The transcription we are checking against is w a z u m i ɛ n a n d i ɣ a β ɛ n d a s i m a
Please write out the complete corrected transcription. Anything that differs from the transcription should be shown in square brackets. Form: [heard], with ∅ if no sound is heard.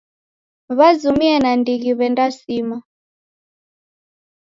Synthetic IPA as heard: [β] a z u m i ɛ n a n d i ɣ [i] β ɛ n d a s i m a